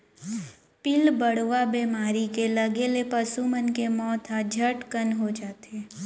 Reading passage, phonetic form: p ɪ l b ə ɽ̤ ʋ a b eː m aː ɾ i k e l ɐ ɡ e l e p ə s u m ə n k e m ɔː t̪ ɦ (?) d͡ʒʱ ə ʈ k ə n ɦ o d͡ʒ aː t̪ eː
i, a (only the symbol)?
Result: a